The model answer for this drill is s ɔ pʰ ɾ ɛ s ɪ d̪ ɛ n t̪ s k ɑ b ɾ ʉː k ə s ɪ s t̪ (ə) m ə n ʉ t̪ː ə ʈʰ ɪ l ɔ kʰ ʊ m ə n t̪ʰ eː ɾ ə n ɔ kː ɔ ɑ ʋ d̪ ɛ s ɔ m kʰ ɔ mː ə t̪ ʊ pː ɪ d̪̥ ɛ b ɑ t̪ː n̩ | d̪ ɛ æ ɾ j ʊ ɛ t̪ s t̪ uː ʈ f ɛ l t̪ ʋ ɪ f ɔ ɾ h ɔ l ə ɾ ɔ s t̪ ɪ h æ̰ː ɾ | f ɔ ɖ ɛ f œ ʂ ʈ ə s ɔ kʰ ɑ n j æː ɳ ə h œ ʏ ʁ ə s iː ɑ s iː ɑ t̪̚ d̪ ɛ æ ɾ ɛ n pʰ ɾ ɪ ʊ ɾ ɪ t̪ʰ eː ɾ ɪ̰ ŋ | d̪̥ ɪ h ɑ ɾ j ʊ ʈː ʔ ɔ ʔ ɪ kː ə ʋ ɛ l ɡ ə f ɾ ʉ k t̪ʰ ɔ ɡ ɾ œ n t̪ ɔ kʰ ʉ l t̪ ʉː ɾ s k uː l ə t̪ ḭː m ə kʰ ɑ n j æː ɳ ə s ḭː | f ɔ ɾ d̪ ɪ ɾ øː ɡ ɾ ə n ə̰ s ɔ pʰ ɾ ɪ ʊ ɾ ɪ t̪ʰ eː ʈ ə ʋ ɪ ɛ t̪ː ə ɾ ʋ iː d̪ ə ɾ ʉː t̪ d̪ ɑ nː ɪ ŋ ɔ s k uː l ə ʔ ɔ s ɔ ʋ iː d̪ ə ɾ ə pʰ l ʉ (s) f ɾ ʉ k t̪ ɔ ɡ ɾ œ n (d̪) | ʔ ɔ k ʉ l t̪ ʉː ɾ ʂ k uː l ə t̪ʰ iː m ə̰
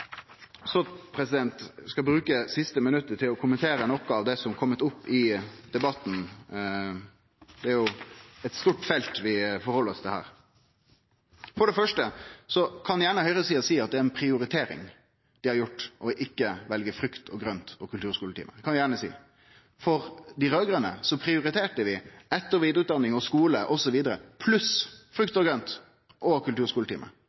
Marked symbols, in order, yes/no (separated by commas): yes, yes, no